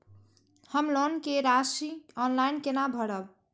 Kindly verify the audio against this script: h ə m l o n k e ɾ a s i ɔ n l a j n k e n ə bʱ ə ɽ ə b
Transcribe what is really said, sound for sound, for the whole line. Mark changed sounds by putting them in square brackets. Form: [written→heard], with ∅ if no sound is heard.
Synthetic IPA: h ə m l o n k e ɾ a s i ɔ n l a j n k e n [ə→a] bʱ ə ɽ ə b

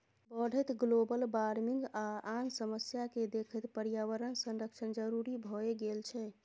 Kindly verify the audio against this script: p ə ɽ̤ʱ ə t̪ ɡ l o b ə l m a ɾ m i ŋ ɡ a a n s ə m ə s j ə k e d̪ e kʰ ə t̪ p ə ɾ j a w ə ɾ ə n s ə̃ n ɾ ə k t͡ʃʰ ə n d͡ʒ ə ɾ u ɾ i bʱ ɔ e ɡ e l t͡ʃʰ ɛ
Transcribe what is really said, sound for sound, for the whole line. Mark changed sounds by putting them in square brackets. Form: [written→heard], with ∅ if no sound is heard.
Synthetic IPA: [p→b] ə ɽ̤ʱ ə t̪ ɡ l o b ə l [m→b] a ɾ m i ŋ ɡ a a n s ə m ə s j [ə→a] k e d̪ e kʰ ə t̪ p ə ɾ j a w ə ɾ ə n s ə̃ n ɾ ə k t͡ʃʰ ə n d͡ʒ ə ɾ u ɾ i bʱ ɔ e ɡ e l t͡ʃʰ ɛ

